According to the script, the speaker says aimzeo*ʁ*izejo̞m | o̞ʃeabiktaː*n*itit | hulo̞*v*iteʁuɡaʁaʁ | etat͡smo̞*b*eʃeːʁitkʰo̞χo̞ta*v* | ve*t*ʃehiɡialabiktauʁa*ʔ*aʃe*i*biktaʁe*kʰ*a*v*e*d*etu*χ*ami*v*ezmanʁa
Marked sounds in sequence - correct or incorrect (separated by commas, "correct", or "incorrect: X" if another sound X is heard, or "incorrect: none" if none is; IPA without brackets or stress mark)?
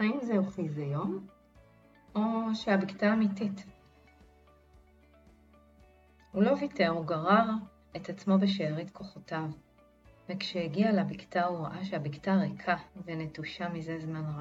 incorrect: χ, incorrect: m, correct, correct, correct, incorrect: k, correct, incorrect: a, correct, correct, incorrect: n, incorrect: ʃ, incorrect: z